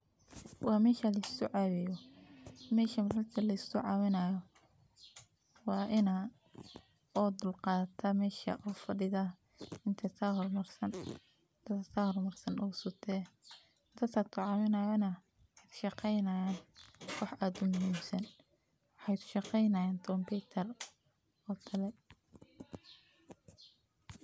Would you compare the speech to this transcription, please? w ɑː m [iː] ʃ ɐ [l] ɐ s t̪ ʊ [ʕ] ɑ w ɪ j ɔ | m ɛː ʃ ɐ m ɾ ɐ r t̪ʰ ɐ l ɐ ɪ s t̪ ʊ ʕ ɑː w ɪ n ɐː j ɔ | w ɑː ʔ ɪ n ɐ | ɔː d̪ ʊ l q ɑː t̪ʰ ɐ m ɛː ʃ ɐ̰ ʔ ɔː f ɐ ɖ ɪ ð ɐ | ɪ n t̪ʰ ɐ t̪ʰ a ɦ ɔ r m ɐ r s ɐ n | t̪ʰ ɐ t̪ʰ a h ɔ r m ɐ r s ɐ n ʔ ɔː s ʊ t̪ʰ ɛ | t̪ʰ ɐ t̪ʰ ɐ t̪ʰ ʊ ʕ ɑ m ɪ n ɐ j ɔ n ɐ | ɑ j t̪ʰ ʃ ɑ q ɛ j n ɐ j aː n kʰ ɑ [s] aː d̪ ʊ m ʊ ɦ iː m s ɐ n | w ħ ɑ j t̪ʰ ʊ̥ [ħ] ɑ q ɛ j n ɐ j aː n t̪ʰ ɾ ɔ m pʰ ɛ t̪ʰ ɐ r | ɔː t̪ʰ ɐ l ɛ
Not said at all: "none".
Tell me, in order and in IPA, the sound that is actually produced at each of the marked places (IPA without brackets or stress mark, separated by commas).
ɛː, l, ʕ, ħ, ʃ